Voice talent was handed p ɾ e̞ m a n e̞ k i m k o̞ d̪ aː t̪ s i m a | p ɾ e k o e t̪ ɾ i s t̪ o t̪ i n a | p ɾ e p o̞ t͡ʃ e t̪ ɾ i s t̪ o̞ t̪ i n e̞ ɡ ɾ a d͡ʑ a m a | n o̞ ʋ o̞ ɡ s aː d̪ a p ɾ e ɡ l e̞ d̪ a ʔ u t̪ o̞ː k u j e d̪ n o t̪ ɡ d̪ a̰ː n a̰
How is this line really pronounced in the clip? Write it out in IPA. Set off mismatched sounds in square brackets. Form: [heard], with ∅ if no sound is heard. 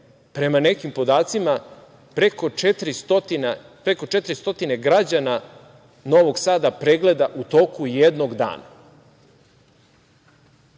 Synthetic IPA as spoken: p ɾ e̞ m a n e̞ k i m [p] o̞ d̪ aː t̪ s i m a | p ɾ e k o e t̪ ɾ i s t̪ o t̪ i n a | p ɾ e [k] o̞ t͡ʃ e t̪ ɾ i s t̪ o̞ t̪ i n e̞ ɡ ɾ a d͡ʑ a [n] a | n o̞ ʋ o̞ ɡ s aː d̪ a p ɾ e ɡ l e̞ d̪ a ʔ u t̪ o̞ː k u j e d̪ n o [∅] ɡ d̪ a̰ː n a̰